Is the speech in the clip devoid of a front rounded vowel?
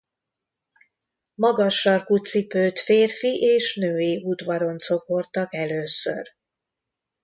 no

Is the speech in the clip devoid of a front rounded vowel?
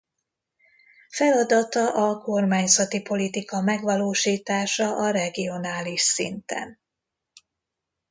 yes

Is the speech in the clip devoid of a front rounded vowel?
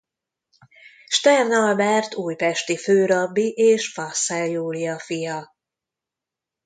no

